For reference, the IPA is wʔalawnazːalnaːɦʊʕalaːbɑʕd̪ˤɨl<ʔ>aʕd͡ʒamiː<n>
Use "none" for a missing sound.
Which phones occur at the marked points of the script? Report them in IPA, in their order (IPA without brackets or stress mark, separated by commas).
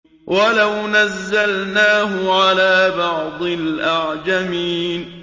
ʔ, n